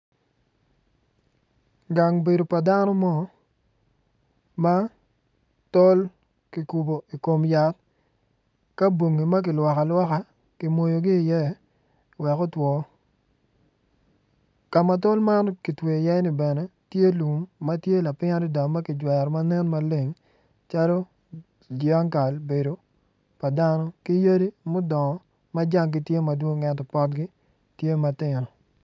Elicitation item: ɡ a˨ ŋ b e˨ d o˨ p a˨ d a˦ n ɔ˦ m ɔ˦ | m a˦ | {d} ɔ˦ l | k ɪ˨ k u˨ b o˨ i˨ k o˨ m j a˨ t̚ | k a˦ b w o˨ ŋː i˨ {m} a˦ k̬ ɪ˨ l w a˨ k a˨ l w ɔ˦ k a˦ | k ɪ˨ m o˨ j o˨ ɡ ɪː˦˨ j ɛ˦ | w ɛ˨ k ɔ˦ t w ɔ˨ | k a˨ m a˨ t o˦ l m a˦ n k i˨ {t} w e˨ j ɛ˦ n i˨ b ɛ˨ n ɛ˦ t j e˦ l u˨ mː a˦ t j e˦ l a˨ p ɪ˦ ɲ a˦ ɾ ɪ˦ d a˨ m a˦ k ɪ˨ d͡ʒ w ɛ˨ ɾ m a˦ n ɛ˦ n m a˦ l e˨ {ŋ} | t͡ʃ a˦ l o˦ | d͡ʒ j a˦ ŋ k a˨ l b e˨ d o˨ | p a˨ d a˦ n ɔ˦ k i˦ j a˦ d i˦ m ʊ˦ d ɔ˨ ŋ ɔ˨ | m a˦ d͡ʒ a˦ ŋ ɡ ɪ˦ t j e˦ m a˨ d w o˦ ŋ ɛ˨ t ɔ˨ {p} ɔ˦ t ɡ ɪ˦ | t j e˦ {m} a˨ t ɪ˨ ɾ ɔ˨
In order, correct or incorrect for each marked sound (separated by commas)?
incorrect, correct, correct, correct, correct, correct